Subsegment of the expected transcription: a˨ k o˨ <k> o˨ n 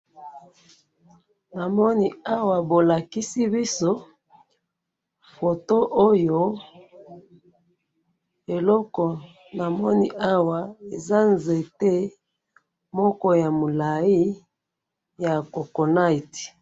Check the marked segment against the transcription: correct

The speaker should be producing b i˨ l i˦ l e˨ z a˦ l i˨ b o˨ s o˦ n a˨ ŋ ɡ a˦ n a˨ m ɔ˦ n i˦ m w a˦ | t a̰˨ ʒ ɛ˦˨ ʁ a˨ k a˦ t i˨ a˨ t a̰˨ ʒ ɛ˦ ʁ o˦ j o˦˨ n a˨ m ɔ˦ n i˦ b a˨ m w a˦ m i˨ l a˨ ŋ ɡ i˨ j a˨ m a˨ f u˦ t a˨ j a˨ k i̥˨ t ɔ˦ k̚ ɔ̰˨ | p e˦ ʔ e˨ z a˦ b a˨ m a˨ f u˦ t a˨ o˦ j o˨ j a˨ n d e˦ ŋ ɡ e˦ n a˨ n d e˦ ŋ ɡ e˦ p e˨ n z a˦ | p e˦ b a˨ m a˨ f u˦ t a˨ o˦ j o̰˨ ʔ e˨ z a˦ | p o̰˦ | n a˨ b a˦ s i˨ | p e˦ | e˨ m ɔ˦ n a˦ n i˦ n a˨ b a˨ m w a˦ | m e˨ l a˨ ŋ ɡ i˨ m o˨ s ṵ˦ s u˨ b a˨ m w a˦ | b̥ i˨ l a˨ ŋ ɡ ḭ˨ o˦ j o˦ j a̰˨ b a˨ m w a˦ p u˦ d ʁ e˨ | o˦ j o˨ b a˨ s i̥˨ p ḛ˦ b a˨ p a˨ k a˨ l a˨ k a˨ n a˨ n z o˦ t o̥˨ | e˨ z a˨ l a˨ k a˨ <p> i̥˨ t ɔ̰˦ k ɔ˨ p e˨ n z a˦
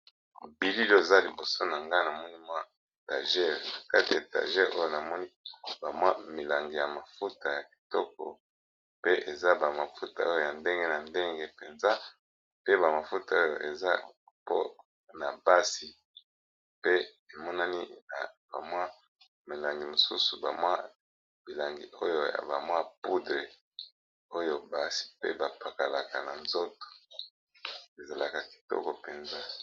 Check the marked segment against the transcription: incorrect: k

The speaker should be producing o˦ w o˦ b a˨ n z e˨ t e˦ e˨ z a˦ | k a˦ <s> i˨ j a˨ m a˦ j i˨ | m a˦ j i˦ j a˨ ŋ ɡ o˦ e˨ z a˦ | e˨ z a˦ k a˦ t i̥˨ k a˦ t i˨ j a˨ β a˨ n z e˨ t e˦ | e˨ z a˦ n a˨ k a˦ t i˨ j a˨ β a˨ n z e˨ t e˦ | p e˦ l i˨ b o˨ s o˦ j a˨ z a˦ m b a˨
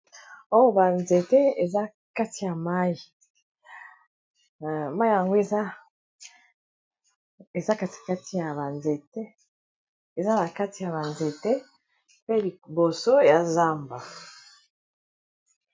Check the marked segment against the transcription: incorrect: t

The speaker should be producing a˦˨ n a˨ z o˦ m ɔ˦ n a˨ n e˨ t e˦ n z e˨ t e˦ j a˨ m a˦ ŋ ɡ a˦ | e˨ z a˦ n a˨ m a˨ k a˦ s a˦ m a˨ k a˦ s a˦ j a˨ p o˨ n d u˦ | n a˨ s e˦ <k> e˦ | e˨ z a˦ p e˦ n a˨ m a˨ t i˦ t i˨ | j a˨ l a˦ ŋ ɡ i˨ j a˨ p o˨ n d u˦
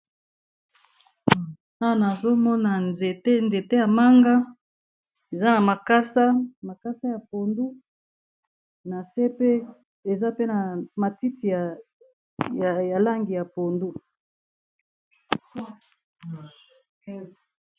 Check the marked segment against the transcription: incorrect: p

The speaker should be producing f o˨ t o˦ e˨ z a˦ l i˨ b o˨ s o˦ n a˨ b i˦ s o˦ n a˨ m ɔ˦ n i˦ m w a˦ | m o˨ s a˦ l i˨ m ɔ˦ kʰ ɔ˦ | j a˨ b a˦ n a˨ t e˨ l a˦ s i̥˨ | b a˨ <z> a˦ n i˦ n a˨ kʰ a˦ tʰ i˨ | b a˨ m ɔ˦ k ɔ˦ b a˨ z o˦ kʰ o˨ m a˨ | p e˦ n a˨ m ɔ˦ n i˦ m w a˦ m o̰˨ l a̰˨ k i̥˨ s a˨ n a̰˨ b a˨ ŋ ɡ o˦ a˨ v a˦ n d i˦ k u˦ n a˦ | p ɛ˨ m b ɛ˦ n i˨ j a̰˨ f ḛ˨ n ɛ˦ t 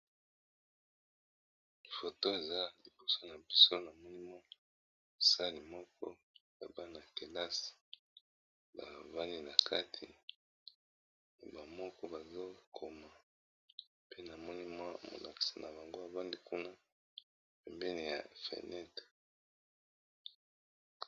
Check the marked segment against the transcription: incorrect: v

